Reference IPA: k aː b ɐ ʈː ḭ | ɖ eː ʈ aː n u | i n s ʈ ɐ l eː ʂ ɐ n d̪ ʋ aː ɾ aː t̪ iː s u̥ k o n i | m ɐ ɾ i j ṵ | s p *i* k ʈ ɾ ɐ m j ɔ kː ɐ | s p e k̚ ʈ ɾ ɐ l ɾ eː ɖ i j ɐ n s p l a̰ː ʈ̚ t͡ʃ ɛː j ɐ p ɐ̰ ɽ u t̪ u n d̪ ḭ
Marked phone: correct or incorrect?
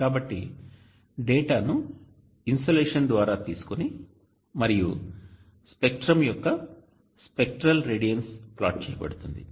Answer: incorrect